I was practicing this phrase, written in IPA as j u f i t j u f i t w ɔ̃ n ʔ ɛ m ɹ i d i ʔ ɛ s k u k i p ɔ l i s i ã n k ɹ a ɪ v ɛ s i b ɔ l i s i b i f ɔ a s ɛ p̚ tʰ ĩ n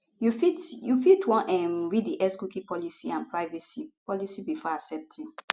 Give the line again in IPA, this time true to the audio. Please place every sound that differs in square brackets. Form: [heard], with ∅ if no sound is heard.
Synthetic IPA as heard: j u f i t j u f i t w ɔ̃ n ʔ ɛ m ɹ i d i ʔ ɛ s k u k i p ɔ l i s i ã n [p] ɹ a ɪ v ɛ s i [p] ɔ l i s i b i f ɔ a s ɛ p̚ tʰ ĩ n